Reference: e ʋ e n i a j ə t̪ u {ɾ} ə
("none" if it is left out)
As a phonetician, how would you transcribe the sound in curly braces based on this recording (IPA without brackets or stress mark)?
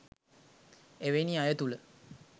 l